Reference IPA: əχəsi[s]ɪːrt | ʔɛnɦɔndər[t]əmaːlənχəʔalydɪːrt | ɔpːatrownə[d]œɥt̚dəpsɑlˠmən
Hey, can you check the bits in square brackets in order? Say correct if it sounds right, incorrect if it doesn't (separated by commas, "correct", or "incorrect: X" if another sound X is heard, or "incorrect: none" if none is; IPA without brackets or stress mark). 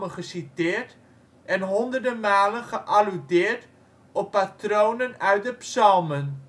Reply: incorrect: t, incorrect: d, incorrect: n